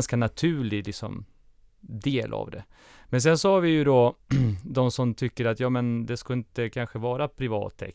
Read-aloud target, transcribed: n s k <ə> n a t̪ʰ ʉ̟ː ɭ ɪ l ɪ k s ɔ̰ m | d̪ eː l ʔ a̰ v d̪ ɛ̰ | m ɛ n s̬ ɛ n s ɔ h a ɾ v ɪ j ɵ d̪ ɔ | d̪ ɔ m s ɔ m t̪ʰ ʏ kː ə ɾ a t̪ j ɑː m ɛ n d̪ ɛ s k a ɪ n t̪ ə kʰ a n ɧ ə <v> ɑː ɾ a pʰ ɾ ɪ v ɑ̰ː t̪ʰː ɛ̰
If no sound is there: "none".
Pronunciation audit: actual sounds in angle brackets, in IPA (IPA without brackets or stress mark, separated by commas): a, v